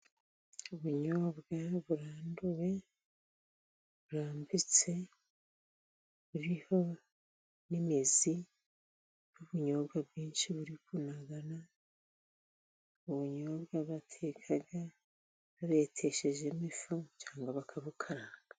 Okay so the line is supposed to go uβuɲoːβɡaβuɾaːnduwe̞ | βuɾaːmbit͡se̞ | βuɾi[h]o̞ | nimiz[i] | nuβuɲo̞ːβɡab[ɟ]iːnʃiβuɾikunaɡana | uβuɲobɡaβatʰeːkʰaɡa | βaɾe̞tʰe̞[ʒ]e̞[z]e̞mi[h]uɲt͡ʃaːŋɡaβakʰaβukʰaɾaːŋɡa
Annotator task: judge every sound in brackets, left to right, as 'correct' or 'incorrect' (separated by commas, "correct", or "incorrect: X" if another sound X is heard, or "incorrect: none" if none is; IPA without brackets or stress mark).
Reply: correct, correct, incorrect: ɡ, incorrect: ʃ, incorrect: ʒ, incorrect: f